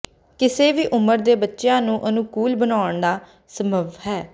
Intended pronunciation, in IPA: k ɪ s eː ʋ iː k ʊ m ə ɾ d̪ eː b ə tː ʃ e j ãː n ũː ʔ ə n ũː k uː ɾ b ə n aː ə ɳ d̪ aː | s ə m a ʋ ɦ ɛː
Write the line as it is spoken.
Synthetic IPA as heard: k ɪ s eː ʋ iː ʔ ʊ m ə ɾ d̪ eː b ə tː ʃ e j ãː n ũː ʔ ə n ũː k uː l b ə n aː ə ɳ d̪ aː | s ə m ə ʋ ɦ ɛː